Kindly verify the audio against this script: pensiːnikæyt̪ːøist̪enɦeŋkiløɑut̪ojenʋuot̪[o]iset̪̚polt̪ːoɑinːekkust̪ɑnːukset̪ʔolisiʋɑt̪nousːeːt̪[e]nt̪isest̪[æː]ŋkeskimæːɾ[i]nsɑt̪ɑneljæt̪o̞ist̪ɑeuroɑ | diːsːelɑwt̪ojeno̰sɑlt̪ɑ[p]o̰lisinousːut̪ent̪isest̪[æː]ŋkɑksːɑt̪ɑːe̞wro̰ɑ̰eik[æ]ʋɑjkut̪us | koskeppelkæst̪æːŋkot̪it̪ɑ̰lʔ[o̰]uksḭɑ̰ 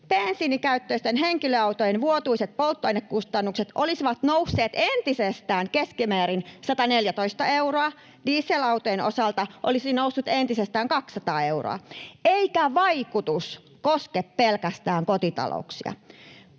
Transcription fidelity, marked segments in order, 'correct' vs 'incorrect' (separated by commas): incorrect, correct, correct, correct, incorrect, correct, correct, correct